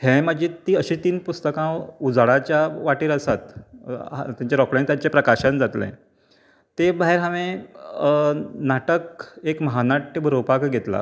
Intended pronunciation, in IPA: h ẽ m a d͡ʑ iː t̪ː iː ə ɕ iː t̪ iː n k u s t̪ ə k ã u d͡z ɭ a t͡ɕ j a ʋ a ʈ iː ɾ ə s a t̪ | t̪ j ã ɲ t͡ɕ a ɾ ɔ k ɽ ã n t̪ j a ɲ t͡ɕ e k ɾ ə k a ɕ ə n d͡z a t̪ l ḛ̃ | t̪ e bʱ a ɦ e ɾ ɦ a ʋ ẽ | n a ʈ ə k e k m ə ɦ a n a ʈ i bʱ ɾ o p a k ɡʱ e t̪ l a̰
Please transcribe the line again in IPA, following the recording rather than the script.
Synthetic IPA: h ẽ m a d͡ʑ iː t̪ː iː ə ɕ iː t̪ iː n p u s t̪ ə k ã u d͡z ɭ a t͡ɕ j a ʋ a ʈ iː ɾ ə s a t̪ | t̪ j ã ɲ t͡ɕ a ɾ ɔ k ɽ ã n t̪ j a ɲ t͡ɕ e p ɾ ə k a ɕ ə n d͡z a t̪ l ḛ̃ | t̪ e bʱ a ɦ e ɾ ɦ a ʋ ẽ | n a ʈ ə k e k m ə ɦ a n a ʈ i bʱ ɾ o p a k ɡʱ e t̪ l a̰

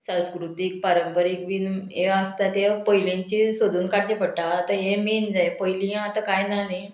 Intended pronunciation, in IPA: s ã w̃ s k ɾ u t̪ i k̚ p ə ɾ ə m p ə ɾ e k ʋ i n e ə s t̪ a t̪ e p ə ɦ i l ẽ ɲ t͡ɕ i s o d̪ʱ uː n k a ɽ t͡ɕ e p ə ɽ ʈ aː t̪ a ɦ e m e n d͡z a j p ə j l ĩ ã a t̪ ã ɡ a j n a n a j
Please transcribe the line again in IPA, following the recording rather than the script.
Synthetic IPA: s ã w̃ s k ɾ u t̪ i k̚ p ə ɾ ə m p ə ɾ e k ʋ i n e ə s t̪ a t̪ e p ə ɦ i l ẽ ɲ t͡ɕ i s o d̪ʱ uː n k a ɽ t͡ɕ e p ə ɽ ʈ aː t̪ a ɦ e m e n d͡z a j p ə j l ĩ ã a t̪ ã k a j n a n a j

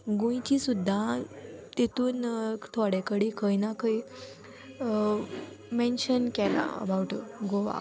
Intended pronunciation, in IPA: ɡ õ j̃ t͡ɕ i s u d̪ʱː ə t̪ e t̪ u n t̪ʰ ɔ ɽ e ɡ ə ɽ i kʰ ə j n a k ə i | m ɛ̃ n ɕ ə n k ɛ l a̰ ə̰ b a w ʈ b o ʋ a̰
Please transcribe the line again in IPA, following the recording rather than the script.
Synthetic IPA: ɡ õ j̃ t͡ɕ i s u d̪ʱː a t̪ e t̪ uː n t̪ʰ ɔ ɽ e k ə ɽ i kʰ ə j n a k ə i | m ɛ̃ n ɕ ə n k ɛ l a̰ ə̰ b a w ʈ ɡ o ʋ a̰

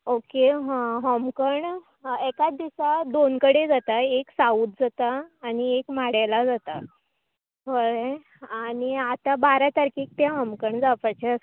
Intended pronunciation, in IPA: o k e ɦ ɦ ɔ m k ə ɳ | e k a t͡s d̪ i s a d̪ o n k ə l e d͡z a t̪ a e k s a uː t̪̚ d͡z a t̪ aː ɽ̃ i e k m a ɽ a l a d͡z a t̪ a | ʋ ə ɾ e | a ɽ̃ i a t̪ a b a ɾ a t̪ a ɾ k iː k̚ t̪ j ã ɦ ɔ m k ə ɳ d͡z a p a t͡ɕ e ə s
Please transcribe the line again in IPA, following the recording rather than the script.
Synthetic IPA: o k e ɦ ɦ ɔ m k ə ɳ | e k a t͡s d̪ i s a d̪ o n k ə ɽ e d͡z a t̪ a e k s a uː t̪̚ d͡z a t̪ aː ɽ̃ i e k m a ɽ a l a d͡z a t̪ a | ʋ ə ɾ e | a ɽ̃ i a t̪ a b a ɾ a t̪ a ɾ k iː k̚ t̪ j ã ɦ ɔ m k ə ɳ d͡z a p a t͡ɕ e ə s

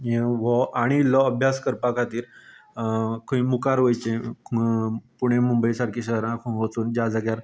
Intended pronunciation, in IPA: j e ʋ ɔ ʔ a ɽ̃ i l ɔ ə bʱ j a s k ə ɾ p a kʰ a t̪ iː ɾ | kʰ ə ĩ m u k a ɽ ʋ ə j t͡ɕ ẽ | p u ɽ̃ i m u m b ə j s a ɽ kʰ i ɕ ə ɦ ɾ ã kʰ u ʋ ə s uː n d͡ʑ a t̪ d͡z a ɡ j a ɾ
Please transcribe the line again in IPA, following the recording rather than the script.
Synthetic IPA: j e ʋ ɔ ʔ a ɽ̃ i l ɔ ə bʱ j a s k ə ɾ p a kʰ a t̪ iː ɾ | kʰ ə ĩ m u k a ɾ ʋ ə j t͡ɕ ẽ | p u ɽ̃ e m u m b ə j s a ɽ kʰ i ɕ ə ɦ ɾ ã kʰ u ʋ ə t͡s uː n d͡ʑ a d͡z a ɡ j a ɾ

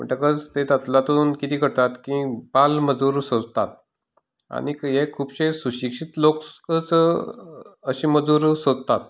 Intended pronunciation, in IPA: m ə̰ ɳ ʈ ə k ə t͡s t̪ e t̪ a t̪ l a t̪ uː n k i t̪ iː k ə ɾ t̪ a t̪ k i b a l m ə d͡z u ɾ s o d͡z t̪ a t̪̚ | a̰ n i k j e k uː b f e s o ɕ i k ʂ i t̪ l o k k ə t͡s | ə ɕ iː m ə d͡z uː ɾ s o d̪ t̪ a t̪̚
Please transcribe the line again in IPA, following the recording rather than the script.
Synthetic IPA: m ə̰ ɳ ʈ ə k ə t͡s t̪ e t̪ a t̪ l a t̪ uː n k i t̪ iː k ə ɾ t̪ a t̪ k i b a l m ə d͡z u ɾ s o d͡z t̪ a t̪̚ | a̰ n i k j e kʰ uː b ɕ e s u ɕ i k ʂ i t̪ l o k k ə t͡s | ə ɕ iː m ə d͡z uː ɾ s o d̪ t̪ a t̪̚

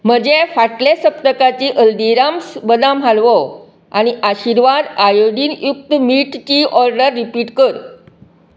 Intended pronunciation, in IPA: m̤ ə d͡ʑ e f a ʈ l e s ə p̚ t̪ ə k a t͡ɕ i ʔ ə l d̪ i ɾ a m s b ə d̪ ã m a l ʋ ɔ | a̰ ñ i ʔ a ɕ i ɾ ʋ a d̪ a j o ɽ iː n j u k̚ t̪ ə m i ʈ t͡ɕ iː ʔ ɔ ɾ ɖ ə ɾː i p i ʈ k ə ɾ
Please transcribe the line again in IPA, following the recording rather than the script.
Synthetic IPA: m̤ ə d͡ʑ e f a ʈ l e s ə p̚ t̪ ə k a t͡ɕ i ʔ ə l d̪ i ɾ a m s b ə d̪ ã m a l ʋ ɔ | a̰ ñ i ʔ a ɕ i ɾ ʋ a d̪ a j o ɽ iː n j u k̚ t̪ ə m i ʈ t͡ɕ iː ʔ ɔ ɾ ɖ ə ɾː i p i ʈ k ə ɾ

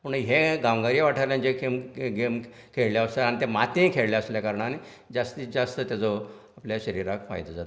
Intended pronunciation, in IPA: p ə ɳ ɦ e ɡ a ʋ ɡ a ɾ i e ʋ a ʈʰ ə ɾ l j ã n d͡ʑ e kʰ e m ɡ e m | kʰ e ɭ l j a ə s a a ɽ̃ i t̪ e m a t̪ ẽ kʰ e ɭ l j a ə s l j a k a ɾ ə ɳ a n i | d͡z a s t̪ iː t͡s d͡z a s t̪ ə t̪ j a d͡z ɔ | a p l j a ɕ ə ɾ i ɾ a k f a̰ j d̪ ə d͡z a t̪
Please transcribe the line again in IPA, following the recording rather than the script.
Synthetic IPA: p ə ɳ ɦ e ɡ a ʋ ɡ a ɾ i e ʋ a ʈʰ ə ɾ l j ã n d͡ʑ e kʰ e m ɡ e m | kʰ e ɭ l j a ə s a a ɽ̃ i t̪ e m a t̪ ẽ kʰ e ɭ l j a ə s l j a k a ɾ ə ɳ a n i | d͡z a s t̪ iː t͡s d͡z a s t̪ ə t̪ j a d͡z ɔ | a p l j a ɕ ə ɾ i ɾ a k f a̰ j d̪ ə d͡z a t̪

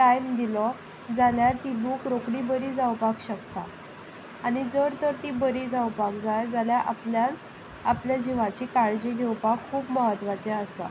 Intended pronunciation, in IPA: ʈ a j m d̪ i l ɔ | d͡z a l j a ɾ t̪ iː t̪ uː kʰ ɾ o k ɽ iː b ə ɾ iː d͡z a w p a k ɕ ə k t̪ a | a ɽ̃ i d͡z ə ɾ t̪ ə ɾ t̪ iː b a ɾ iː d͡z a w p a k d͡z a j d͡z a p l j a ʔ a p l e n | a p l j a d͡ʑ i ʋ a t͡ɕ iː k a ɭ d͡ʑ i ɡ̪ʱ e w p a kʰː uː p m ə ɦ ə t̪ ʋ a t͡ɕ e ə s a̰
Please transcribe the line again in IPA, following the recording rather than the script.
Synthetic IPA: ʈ a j m d̪ i l ɔ | d͡z a l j a ɾ t̪ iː d̪ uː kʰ ɾ o k ɽ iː b ə ɾ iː d͡z a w p a k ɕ ə k t̪ a | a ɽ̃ i d͡z ə ɾ t̪ ə ɾ t̪ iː b ə ɾ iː d͡z a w p a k d͡z a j d͡z a l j a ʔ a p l a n | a p l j a d͡ʑ i ʋ a t͡ɕ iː k a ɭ d͡ʑ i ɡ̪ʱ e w p a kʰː uː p m ə ɦ ə t̪ ʋ a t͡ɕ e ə s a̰

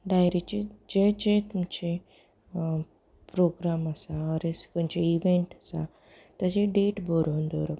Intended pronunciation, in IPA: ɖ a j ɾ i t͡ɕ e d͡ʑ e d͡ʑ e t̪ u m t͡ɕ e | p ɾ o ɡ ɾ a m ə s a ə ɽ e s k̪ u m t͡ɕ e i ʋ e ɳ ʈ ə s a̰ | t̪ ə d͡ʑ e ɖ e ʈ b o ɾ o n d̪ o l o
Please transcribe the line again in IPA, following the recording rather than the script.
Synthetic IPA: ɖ a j ɾ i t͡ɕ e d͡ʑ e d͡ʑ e t̪ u m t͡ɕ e | p ɾ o ɡ ɾ a m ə s a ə ɾ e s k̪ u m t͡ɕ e i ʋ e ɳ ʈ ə s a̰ | t̪ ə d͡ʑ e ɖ e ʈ b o ɾ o n d̪ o ɾ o

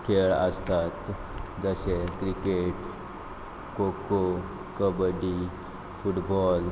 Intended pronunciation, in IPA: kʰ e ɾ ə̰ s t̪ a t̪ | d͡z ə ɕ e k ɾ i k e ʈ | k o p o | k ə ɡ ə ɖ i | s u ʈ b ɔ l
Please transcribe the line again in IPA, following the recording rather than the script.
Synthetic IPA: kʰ e ɭ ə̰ s t̪ a t̪ | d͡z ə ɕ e k ɾ i k e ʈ | k o k o | k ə b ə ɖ i | f u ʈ b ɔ l

